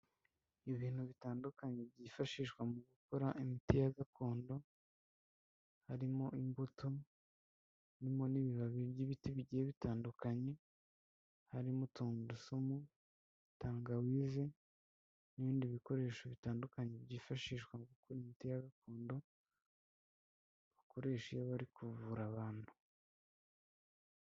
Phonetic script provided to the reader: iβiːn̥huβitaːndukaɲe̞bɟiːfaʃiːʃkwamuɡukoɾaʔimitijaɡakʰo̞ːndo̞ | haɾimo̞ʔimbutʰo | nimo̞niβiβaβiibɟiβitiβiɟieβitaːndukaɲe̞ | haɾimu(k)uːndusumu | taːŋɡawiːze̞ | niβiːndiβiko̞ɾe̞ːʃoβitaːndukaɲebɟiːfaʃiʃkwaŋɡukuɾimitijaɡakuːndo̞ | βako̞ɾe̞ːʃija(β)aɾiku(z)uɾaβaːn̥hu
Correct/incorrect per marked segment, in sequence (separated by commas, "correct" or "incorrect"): incorrect, correct, incorrect